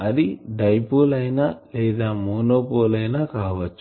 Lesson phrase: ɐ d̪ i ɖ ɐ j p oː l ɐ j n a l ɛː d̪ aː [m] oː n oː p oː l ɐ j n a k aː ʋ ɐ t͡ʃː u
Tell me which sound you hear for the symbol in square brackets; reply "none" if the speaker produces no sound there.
m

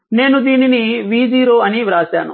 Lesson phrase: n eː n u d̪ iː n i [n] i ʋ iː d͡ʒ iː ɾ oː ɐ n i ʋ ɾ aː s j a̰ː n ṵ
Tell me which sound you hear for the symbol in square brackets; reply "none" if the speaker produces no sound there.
n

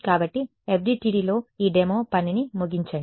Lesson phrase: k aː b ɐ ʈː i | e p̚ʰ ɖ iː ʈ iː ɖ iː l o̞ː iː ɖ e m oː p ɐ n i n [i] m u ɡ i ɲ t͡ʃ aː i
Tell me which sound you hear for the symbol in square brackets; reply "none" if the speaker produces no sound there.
i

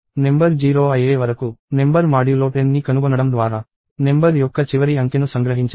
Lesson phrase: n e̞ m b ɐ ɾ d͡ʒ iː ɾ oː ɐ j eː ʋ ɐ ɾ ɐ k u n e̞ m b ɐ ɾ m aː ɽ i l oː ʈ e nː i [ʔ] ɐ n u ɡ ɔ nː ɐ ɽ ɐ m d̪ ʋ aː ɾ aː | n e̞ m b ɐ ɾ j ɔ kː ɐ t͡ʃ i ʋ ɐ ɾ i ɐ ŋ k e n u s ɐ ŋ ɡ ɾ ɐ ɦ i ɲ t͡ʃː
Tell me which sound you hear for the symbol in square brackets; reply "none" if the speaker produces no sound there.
k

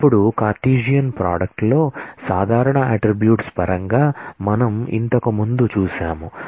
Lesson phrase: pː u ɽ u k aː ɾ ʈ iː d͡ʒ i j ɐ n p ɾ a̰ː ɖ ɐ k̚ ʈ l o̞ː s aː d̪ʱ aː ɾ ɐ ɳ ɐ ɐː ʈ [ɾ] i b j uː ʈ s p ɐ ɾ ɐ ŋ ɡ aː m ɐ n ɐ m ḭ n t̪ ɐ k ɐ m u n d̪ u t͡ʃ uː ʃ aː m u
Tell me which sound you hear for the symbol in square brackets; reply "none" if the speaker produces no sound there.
ɾ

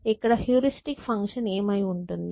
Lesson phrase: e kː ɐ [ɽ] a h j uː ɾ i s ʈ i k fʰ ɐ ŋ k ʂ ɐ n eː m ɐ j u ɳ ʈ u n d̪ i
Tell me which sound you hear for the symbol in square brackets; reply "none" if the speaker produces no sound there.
ɽ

